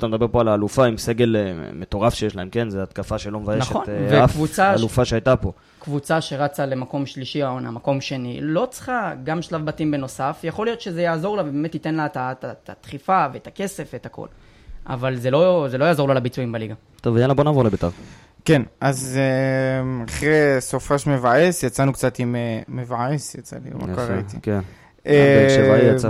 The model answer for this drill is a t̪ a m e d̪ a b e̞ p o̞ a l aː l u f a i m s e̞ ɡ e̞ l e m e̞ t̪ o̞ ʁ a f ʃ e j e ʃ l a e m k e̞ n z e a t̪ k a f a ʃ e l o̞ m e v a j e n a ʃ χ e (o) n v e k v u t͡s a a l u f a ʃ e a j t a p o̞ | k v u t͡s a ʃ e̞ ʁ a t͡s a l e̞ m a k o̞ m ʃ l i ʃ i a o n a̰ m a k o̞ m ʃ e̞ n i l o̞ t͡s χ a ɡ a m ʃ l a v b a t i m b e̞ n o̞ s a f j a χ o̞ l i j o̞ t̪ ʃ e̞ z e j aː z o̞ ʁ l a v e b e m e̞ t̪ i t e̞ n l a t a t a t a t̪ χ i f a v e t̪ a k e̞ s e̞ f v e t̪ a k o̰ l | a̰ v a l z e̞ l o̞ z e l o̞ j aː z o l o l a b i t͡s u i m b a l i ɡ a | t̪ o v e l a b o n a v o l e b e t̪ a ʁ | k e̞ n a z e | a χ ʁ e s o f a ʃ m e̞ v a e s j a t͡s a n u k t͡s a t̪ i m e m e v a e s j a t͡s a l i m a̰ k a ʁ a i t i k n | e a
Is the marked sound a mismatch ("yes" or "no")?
no